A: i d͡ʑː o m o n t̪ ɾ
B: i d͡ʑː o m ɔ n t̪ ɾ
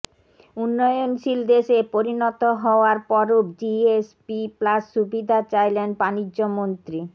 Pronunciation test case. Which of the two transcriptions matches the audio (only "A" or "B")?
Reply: A